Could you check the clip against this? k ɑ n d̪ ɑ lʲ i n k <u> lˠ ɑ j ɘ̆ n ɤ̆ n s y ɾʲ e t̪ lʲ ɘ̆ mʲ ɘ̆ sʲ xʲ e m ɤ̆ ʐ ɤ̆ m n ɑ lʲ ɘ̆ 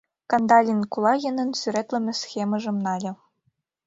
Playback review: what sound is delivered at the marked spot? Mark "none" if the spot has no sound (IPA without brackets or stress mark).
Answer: u